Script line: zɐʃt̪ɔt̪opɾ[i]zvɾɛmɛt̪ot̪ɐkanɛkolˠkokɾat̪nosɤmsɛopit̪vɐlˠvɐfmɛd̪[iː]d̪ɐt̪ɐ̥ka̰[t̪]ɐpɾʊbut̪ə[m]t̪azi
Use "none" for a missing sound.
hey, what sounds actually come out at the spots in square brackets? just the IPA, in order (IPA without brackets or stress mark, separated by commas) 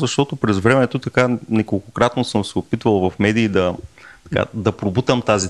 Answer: ɛ, iː, d̪, m